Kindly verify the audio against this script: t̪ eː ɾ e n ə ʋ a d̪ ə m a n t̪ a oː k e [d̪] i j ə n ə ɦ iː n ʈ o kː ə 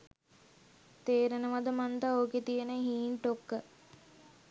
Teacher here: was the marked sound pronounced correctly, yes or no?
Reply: no